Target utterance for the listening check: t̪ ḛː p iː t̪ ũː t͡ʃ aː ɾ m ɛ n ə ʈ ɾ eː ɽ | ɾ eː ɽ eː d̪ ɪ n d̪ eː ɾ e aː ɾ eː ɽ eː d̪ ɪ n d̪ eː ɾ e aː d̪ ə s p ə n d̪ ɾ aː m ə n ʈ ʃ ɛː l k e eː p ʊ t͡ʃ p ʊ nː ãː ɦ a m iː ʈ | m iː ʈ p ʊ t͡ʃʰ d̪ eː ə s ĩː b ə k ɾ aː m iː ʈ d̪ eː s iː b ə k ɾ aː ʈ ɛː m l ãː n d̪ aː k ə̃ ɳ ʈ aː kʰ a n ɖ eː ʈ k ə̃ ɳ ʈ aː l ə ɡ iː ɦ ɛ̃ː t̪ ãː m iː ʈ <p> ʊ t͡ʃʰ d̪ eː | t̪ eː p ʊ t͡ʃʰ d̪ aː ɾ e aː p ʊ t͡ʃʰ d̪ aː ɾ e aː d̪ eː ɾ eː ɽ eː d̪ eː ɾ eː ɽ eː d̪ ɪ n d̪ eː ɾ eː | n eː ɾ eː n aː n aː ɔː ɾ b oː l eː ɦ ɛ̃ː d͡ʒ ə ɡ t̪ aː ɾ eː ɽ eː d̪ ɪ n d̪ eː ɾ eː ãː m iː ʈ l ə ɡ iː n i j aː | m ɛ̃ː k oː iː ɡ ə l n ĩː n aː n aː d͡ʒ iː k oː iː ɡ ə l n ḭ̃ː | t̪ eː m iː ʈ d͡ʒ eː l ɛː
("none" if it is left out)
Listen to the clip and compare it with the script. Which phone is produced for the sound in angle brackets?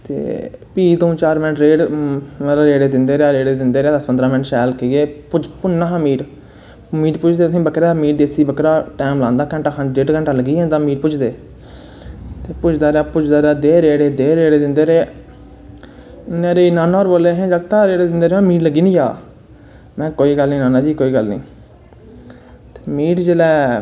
p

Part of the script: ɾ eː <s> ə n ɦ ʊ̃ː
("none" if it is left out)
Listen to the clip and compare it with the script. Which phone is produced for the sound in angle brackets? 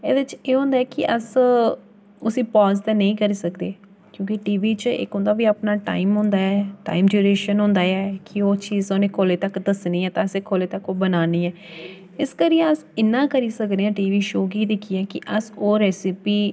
ʃ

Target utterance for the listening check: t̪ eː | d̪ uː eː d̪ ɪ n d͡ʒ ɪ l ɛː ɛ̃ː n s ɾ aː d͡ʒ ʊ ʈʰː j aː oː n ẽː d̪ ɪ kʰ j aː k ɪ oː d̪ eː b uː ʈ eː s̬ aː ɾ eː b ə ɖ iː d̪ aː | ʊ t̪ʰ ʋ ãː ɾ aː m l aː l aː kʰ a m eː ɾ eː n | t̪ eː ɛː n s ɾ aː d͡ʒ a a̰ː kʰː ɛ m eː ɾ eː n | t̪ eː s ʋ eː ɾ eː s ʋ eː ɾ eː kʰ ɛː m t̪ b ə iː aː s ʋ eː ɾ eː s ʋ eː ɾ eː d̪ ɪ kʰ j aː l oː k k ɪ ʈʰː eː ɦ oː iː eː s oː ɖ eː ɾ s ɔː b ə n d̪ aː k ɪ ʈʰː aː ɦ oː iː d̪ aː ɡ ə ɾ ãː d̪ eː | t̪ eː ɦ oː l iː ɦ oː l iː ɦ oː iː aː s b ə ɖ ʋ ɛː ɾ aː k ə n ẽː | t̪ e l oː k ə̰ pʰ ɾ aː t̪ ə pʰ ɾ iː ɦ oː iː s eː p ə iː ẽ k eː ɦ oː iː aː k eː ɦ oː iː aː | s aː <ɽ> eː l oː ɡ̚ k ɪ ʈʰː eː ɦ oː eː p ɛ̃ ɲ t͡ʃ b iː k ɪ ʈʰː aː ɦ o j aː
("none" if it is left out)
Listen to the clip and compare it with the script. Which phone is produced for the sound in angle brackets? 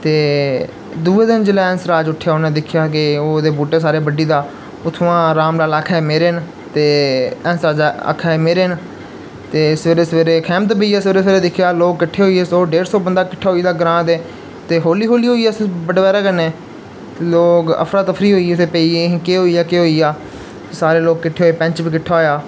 ɾ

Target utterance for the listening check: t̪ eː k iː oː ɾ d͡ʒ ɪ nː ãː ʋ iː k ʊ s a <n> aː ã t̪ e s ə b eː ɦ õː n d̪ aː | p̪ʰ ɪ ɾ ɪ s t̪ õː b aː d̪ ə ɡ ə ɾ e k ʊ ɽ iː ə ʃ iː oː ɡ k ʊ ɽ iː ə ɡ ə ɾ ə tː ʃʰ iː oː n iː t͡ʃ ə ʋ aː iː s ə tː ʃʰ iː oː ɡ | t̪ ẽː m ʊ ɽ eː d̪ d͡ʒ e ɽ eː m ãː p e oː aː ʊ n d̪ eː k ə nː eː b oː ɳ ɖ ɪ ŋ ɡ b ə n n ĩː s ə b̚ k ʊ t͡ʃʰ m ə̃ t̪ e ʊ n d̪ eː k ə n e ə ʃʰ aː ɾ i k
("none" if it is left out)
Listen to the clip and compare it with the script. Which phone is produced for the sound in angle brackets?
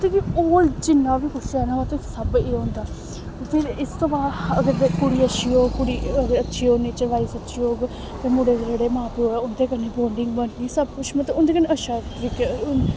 n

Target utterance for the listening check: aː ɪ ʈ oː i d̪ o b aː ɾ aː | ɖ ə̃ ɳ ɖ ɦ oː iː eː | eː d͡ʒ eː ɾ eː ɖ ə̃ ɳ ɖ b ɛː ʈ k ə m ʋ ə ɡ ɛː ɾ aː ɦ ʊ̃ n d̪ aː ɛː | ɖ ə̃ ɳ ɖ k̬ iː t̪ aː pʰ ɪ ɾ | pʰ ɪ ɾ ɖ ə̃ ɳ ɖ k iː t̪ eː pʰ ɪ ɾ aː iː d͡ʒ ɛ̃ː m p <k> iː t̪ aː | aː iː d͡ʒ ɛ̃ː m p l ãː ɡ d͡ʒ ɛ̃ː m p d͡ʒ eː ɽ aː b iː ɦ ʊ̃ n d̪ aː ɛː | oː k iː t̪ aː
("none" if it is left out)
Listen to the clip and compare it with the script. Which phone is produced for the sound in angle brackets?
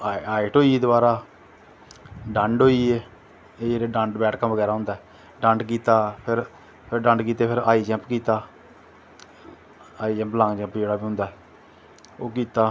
k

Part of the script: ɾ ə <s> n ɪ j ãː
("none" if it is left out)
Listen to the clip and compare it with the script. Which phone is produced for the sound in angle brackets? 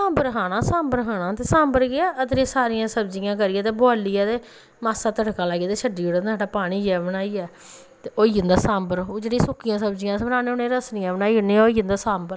s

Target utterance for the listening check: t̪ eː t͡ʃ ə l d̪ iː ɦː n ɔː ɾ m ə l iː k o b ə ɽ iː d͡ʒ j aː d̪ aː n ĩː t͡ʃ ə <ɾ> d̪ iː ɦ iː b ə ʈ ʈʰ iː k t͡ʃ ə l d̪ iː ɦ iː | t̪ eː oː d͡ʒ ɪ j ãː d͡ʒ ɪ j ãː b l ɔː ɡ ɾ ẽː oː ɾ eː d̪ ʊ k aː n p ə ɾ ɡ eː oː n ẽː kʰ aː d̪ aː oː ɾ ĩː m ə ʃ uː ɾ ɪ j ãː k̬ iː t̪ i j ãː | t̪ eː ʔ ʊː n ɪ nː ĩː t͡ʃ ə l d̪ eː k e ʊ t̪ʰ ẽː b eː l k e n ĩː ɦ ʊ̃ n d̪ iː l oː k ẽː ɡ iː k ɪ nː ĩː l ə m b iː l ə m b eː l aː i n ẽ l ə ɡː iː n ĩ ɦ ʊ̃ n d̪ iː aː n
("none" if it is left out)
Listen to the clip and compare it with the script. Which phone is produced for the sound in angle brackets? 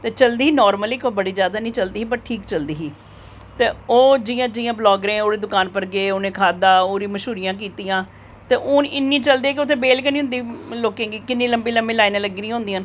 l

